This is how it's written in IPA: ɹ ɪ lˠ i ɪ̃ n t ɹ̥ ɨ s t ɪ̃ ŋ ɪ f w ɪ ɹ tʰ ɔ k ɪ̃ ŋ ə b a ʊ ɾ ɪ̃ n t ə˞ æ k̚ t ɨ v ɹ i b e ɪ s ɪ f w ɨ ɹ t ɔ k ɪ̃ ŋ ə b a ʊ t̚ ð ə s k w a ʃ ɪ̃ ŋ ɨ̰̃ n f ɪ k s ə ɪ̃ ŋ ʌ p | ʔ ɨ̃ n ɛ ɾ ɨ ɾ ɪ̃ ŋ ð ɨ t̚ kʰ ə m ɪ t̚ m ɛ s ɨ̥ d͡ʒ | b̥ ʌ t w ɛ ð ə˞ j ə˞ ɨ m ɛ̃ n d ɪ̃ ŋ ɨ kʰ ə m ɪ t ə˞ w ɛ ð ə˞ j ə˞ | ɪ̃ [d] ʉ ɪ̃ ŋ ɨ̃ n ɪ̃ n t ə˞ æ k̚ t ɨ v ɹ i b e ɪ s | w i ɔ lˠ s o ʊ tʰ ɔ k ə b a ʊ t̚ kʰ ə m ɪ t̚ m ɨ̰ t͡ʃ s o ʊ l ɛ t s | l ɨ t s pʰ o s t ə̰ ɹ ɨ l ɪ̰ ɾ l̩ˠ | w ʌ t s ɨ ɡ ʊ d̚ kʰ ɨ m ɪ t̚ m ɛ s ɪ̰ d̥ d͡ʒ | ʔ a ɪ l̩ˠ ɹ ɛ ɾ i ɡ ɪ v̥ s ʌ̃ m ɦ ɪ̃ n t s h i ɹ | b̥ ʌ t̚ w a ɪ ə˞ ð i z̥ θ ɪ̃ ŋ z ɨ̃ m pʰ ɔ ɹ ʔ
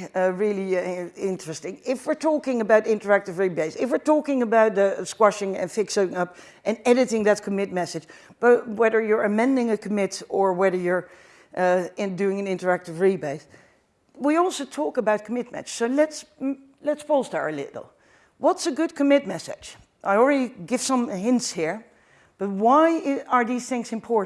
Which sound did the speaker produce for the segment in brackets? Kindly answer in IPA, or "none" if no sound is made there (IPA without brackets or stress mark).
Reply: d